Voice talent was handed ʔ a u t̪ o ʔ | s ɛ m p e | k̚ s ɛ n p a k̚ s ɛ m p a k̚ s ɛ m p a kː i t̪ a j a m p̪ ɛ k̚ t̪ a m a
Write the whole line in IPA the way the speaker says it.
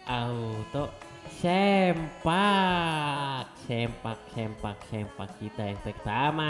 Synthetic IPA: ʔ a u t̪ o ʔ | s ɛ m p a | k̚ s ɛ m p a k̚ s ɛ m p a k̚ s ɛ m p a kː i t̪ a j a ŋ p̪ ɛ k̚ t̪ a m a